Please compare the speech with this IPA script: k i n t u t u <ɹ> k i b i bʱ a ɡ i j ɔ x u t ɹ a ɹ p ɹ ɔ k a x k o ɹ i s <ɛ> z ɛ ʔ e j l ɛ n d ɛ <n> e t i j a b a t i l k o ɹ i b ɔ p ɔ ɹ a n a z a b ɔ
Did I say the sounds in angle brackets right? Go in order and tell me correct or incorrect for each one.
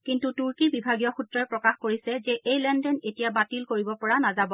correct, correct, correct

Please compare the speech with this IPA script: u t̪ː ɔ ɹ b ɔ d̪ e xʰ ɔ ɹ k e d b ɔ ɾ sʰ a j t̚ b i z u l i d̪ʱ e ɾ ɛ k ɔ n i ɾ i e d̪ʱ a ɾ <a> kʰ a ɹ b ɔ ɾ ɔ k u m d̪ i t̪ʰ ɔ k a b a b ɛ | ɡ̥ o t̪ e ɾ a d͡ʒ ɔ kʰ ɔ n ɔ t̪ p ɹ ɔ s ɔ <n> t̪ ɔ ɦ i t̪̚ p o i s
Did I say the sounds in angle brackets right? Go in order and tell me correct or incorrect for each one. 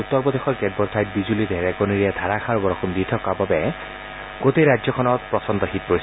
correct, correct

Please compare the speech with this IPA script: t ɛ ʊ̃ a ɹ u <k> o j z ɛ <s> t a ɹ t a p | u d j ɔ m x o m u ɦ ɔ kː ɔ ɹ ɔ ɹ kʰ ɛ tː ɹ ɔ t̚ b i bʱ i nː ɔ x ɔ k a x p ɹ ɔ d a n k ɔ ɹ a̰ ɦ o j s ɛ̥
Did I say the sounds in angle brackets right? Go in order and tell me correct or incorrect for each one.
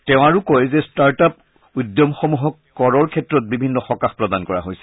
correct, correct

